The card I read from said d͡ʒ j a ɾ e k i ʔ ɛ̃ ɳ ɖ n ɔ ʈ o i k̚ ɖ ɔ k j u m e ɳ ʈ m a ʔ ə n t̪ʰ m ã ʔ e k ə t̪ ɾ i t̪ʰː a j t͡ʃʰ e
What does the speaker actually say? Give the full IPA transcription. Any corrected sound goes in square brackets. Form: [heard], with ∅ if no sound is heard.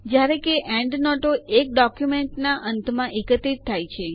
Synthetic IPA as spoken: d͡ʒ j a ɾ e k [e] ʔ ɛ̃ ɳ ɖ n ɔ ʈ o [e] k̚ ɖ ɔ k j u m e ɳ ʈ [n] a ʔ ə n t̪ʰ m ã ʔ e k ə t̪ ɾ i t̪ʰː a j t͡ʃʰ e

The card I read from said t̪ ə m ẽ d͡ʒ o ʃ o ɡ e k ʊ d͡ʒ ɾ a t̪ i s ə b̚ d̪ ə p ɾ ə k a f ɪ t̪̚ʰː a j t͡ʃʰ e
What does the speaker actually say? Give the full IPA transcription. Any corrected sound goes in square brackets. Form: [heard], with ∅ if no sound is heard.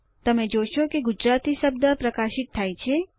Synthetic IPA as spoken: t̪ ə m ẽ d͡ʒ o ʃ o [k] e [ɡ] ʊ d͡ʒ ɾ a t̪ i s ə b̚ d̪ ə p ɾ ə k a [ʃ] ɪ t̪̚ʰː a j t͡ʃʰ e

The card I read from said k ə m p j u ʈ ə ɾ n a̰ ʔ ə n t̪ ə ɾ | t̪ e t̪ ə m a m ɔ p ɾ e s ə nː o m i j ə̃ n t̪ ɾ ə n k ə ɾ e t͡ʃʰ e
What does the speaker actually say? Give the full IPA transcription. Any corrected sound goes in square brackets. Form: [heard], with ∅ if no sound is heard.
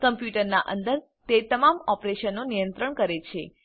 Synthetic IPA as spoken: k ə m p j u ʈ ə ɾ n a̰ ʔ ə n [d̪] ə ɾ | t̪ e t̪ ə m a m ɔ p ɾ e [ʃ] ə nː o [n] i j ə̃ n t̪ ɾ ə [ɳ] k ə ɾ e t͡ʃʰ e

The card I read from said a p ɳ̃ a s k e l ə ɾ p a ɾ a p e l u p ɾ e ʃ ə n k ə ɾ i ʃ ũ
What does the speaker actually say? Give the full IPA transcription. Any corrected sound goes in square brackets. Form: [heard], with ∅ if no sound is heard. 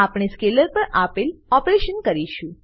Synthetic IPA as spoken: a p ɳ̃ [e] s k e l ə ɾ p [ə] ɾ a p e l [ɔ] p ɾ e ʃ ə n k ə ɾ i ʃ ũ

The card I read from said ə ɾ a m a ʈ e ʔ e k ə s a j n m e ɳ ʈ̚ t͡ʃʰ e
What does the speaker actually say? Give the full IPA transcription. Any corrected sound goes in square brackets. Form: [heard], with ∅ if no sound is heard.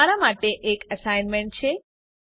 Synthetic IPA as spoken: [a] ɾ a m a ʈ e ʔ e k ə s a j n m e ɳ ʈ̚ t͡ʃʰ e

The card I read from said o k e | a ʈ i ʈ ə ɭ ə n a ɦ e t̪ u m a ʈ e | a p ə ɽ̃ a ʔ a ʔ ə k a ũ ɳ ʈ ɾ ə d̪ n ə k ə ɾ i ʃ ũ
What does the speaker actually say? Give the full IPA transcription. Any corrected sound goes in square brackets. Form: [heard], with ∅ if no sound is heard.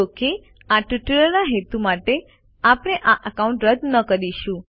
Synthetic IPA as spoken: o k e | a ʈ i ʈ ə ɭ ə n a ɦ e t̪ u m a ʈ e | a p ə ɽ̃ [e] ʔ a ʔ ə k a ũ ɳ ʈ ɾ ə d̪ n ə k ə ɾ i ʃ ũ

